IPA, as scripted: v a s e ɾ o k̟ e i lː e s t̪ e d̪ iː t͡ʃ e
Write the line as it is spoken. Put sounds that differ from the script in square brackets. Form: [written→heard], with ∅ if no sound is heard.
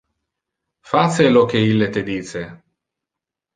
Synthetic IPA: [v→f] a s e [ɾ→l] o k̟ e i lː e [s→∅] t̪ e d̪ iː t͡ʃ e